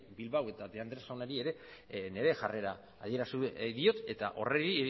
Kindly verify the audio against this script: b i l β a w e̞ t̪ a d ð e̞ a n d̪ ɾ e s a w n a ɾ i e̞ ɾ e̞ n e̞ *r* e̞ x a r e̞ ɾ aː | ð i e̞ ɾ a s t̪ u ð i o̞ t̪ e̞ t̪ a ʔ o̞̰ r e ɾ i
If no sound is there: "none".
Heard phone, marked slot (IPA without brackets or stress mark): ɾ